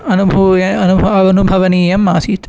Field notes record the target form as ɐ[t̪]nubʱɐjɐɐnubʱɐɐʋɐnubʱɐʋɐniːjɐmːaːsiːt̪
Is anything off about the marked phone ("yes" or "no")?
yes